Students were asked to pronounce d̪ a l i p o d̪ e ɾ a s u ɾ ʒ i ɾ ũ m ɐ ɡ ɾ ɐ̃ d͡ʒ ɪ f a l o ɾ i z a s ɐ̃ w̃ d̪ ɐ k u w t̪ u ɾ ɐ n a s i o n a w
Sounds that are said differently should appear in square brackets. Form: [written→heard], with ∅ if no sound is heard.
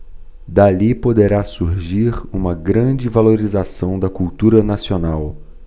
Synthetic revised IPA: d̪ a l i p o d̪ e ɾ a s u ɾ ʒ i ɾ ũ m ɐ ɡ ɾ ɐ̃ d͡ʒ ɪ [f→v] a l o ɾ i z a s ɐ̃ w̃ d̪ ɐ k u w t̪ u ɾ ɐ n a s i o n a w